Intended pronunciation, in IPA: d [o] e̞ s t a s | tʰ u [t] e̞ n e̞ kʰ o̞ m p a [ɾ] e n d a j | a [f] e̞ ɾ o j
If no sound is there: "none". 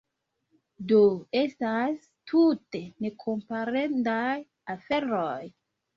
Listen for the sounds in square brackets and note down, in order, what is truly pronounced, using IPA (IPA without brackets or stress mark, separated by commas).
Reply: o, t, ɾ, f